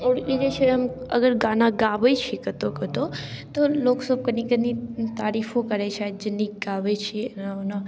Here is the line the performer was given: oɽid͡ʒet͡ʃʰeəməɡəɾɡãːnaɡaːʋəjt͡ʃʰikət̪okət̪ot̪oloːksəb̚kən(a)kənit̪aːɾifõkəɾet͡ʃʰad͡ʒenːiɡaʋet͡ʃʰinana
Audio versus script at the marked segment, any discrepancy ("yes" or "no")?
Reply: yes